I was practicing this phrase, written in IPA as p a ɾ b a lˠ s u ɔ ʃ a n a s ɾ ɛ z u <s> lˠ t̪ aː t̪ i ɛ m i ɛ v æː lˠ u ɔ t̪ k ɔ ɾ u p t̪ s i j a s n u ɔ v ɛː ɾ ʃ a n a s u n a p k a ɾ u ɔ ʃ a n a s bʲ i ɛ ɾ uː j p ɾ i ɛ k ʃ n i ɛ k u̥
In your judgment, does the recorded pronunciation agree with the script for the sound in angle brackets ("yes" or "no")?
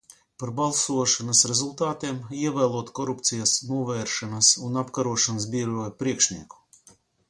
no